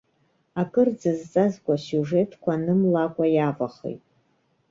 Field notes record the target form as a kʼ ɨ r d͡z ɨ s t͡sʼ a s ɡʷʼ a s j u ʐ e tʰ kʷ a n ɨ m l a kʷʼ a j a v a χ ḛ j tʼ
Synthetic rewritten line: a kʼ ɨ r d͡z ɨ z t͡sʼ a z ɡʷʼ a s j u ʐ e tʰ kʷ a n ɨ m l a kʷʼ a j a v a χ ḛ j tʼ